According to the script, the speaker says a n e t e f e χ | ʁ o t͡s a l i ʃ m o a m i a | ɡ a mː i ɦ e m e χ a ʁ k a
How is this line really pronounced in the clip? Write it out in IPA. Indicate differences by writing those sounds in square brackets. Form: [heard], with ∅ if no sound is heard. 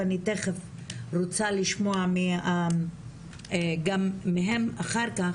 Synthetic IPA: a n [i] t e [χ] e [f] | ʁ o t͡s a l i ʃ m o a m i a | ɡ a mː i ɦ e m [a] χ a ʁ k a